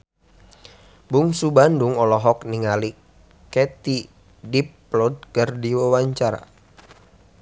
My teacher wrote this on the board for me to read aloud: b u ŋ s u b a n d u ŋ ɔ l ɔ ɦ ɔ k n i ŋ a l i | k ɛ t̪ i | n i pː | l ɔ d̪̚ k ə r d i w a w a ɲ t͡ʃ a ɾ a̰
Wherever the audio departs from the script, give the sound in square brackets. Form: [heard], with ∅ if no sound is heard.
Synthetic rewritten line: b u ŋ s u b a n d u ŋ ɔ l ɔ ɦ ɔ k n i ŋ a l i | k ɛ t̪ i | [d] i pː | l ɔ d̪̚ k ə r d i w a w a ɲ t͡ʃ a ɾ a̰